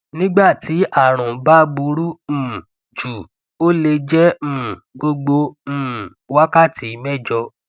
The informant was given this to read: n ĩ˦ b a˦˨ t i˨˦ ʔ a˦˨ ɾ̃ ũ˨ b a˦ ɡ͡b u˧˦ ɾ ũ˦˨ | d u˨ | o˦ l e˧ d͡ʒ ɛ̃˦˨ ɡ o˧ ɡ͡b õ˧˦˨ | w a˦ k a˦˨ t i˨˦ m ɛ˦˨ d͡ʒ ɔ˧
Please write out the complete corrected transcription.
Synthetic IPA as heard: n ĩ˦ ɡ͡b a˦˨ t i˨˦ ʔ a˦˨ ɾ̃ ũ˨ b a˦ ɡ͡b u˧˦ ɾ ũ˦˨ | d͡ʒ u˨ | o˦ l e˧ d͡ʒ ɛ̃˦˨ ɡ o˧ ɡ͡b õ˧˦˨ | w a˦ k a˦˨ t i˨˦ m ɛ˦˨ d͡ʒ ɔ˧